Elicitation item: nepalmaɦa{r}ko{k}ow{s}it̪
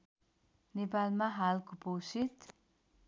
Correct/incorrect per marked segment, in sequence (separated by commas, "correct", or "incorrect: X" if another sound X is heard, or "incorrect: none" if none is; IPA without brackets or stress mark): incorrect: l, incorrect: p, correct